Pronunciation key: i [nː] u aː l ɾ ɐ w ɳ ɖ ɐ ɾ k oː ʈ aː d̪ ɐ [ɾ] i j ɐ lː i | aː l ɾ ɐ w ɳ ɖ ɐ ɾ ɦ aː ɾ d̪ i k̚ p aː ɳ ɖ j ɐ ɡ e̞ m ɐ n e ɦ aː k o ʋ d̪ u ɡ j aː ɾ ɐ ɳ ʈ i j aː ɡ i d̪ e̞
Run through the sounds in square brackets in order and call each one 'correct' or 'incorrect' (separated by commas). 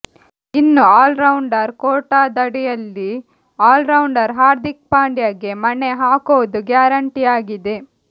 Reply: correct, incorrect